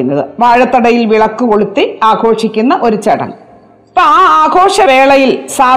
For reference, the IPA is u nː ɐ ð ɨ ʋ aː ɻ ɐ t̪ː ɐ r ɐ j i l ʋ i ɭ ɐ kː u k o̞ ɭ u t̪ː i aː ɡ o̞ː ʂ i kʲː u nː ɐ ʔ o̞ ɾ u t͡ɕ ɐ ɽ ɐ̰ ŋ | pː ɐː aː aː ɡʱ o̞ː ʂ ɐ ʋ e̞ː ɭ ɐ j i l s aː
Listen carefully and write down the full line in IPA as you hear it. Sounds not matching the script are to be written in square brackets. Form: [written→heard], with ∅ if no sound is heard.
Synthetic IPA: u nː ɐ ð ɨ ʋ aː ɻ ɐ t̪ː ɐ [r→ɽ] ɐ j i l ʋ i ɭ ɐ kː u k o̞ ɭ u t̪ː i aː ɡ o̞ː ʂ i kʲː u nː ɐ ʔ o̞ ɾ u t͡ɕ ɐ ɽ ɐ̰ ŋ | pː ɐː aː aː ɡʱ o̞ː ʂ ɐ ʋ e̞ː ɭ ɐ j i l s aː